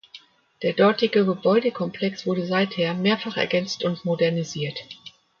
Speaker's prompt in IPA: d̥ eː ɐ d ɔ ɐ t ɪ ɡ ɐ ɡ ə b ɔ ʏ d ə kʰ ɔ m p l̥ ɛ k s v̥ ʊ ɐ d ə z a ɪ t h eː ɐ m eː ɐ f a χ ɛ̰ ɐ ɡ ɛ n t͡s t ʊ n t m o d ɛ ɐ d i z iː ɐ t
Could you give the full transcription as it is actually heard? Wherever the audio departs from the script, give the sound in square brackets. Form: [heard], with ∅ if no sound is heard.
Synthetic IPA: d̥ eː ɐ d ɔ ɐ t ɪ ɡ [ə] ɡ ə b ɔ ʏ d ə kʰ ɔ m p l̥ ɛ k s v̥ ʊ ɐ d ə z a ɪ t h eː ɐ m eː ɐ f a χ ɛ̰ ɐ ɡ ɛ n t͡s t ʊ n t m o d ɛ ɐ [n] i z iː ɐ t